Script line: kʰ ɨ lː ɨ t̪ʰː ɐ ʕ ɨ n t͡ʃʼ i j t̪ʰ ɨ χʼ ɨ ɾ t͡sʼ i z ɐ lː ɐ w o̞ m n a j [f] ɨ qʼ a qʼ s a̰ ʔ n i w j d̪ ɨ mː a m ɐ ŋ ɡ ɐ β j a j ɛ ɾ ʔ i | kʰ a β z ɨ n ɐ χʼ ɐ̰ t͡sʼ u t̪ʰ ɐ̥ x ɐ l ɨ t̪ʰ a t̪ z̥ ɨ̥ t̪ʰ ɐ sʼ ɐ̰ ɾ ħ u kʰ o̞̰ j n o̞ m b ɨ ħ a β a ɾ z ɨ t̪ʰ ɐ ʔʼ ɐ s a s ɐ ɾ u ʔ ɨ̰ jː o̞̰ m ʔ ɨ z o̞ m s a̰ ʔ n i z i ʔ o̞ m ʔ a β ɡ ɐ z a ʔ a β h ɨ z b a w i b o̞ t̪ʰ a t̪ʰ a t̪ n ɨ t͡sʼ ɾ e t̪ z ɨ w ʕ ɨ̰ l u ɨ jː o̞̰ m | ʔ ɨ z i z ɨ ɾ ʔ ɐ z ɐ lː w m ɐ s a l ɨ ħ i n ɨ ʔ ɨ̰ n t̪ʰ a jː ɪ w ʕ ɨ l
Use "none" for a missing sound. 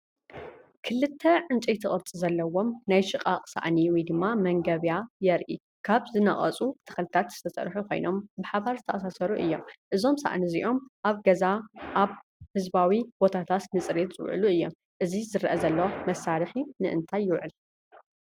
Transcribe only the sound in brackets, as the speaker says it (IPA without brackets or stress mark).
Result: ʃ